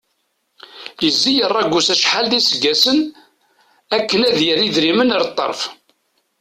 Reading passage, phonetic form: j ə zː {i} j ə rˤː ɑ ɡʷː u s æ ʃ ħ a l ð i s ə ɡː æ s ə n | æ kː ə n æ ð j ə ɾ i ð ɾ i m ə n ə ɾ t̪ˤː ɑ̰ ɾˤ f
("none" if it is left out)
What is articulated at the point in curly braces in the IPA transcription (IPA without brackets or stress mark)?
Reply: i